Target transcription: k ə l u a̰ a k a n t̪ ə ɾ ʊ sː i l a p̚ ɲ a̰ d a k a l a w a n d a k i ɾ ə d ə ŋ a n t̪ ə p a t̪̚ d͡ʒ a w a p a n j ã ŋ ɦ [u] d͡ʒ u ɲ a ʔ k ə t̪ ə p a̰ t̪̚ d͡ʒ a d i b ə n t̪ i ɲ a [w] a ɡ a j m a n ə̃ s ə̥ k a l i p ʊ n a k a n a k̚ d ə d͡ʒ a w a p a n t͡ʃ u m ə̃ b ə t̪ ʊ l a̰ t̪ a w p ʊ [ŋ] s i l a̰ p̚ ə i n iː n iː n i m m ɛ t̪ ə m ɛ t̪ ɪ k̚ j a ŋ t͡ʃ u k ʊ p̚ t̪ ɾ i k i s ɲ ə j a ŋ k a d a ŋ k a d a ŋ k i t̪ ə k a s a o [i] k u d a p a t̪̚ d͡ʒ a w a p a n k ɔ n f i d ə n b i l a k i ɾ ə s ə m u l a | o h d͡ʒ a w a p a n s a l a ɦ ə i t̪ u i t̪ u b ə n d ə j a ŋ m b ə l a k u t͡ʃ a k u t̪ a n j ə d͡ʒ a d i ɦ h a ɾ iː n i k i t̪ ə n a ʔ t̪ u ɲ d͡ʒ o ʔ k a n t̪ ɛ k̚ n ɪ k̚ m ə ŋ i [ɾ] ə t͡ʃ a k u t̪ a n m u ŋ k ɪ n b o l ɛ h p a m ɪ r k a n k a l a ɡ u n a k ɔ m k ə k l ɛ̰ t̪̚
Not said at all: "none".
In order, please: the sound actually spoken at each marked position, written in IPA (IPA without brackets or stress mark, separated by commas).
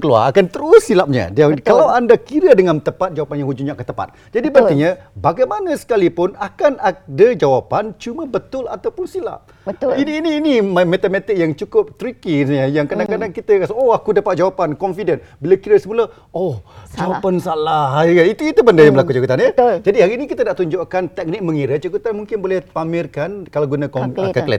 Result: u, b, n, a, ɾ